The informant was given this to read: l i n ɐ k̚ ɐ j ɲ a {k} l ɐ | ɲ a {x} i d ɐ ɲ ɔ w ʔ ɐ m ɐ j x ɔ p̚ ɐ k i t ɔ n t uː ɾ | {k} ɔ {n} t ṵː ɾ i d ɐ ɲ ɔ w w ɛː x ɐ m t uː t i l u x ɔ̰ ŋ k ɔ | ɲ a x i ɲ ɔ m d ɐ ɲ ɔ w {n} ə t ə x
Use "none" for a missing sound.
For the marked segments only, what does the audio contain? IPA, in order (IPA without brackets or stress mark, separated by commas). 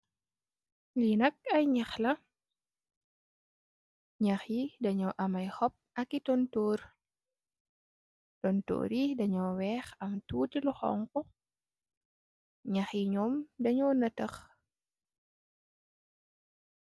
x, x, t, n, n